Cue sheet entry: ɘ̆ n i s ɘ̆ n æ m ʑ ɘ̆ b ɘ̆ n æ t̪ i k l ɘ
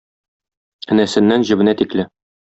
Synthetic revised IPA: ɘ̆ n æ s ɘ̆ nː æ n ʑ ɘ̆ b ɘ̆ n æ t̪ i k l ɘ

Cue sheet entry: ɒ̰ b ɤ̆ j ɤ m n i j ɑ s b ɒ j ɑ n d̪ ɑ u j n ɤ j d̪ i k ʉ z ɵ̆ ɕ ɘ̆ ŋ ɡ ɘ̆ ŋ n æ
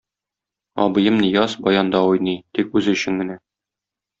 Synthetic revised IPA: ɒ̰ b ɤ̆ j ɤ m n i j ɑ s b ɒ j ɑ n d̪ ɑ u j n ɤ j t̪ i k ʉ z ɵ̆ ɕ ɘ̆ ŋ ɡ ɘ̆ n æ

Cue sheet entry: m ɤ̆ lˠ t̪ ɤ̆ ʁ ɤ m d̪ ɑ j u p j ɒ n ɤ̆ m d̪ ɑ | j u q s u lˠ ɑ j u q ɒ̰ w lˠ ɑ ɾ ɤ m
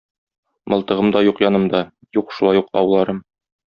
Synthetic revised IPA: m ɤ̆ lˠ t̪ ɤ̆ ʁ ɤ m d̪ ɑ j u q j ɒ n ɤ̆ m d̪ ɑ | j u q ʃ u lˠ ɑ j u q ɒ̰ w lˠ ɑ ɾ ɤ m

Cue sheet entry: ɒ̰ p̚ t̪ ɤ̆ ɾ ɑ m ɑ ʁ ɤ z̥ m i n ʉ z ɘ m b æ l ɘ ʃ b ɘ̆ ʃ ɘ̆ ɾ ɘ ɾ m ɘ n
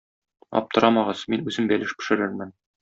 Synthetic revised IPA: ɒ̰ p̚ t̪ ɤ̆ ɾ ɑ m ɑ ʁ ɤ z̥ m i n ʉ z ɘ m b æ l ɘ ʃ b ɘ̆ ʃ ɘ̆ ɾ ɘ ɾ m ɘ n

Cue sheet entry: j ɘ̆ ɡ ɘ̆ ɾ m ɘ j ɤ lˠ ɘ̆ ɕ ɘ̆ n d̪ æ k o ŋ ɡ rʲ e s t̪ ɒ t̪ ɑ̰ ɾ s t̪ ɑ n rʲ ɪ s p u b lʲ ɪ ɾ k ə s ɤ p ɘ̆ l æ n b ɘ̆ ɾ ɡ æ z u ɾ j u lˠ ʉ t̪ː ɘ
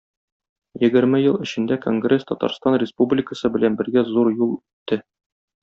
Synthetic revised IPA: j ɘ̆ ɡ ɘ̆ ɾ m ɘ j ɤ lˠ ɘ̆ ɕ ɘ̆ n d̪ æ k o ŋ ɡ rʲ e s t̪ ɒ t̪ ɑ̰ ɾ s t̪ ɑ n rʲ ɪ s p u b lʲ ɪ k ə s ɤ b ɘ̆ l æ n b ɘ̆ ɾ ɡ æ z u ɾ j u lˠ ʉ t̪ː ɘ

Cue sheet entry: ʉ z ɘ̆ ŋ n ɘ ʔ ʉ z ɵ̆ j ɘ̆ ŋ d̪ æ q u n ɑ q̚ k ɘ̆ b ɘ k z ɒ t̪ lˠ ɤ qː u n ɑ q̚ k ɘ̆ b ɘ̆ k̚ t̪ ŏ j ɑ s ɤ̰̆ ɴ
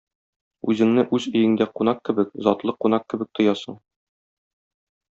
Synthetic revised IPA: ʉ z ɘ̆ ŋ n ɘ ʔ ʉ z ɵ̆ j ɘ̆ ŋ d̪ æ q u n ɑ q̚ k ɘ̆ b ɘ k z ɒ t̪ lˠ ɤ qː u n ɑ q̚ k ɘ̆ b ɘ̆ k̚ t̪ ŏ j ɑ s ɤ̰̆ ɴ

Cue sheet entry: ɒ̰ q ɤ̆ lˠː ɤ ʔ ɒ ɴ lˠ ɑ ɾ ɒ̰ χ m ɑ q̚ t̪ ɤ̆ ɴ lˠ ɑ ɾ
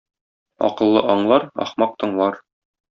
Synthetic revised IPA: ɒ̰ q ɤ̆ lˠː ɤ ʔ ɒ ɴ lˠ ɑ ɾ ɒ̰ χ m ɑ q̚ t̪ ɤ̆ ɴ lˠ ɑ ɾ

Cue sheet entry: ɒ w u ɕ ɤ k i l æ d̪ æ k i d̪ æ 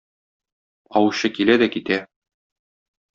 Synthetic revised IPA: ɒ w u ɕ ɤ k i l æ d̪ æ k i t̪ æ

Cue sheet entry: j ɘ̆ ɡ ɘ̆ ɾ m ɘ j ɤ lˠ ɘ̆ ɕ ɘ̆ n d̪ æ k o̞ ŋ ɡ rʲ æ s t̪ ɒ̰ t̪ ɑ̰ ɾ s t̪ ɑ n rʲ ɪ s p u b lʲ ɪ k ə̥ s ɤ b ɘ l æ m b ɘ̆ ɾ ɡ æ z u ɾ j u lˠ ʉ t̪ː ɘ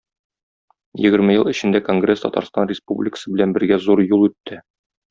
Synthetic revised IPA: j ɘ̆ ɡ ɘ̆ ɾ m ɘ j ɤ lˠ ɘ̆ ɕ ɘ̆ n d̪ æ k o̞ ŋ ɡ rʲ e s t̪ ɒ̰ t̪ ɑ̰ ɾ s t̪ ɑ n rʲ ɪ s p u b lʲ ɪ k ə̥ s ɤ b ɘ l æ n b ɘ̆ ɾ ɡ æ z u ɾ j u lˠ ʉ t̪ː ɘ

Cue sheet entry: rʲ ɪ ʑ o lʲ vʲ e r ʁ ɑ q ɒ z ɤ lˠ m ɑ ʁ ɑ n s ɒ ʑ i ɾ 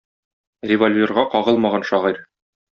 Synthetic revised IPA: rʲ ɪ v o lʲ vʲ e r ʁ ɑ q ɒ ʁ ɤ lˠ m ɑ ʁ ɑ n ʃ ɒ ʁ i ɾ

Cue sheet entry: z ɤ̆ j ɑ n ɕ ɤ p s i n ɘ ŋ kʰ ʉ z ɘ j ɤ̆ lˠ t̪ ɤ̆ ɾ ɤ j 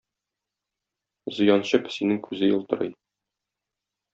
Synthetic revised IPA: z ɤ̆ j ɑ n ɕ ɤ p s i n ɘ ŋ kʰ ʉ z ɘ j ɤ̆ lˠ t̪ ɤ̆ ɾ ɤ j

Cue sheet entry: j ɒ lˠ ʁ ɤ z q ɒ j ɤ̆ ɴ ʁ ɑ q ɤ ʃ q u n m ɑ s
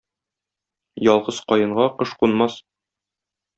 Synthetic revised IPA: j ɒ lˠ ʁ ɤ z q ɒ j ɤ̆ ɴ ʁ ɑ q ɤ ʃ q u n m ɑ s

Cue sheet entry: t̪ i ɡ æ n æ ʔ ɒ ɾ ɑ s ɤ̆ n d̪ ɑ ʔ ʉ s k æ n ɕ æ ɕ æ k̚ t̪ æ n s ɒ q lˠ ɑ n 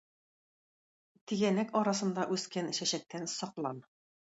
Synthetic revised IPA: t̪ i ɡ æ n æ k ɒ ɾ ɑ s ɤ̆ n d̪ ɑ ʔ ʉ s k æ n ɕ æ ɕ æ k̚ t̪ æ n s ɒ q lˠ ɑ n

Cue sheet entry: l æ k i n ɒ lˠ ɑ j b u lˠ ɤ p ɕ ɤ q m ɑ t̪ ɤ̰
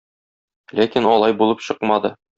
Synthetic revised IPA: l æ k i n ɒ lˠ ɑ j b u lˠ ɤ p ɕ ɤ q m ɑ d̪ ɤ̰

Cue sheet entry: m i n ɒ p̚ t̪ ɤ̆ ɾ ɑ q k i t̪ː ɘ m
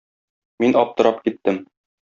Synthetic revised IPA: m i n ɒ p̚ t̪ ɤ̆ ɾ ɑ p k i t̪ː ɘ m

